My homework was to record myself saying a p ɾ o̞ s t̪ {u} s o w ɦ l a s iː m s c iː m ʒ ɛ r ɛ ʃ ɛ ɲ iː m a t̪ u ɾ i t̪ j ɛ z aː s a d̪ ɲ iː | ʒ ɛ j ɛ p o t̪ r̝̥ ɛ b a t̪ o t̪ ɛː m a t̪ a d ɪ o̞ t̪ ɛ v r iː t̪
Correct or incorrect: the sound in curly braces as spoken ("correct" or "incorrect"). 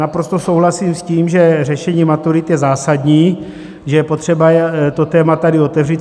incorrect